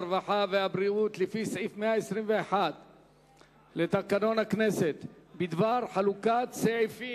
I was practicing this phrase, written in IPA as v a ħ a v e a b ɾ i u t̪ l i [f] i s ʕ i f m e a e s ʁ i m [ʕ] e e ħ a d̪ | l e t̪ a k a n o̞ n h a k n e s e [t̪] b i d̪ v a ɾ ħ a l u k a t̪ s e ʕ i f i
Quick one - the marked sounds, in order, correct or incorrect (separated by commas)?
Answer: correct, incorrect, correct